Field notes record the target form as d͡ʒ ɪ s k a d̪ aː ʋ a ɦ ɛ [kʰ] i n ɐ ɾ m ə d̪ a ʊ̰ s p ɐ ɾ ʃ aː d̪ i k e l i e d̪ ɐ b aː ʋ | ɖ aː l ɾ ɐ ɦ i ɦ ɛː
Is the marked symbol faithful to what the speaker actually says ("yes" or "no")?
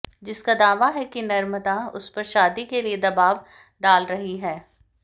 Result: no